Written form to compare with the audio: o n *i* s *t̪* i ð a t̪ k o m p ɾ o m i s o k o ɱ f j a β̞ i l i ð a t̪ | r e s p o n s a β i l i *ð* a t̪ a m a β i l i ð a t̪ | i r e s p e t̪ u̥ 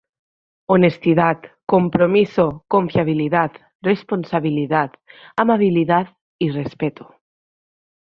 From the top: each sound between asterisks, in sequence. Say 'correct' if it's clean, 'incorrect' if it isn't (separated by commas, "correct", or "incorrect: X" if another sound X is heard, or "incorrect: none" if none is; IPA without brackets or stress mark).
incorrect: e, correct, correct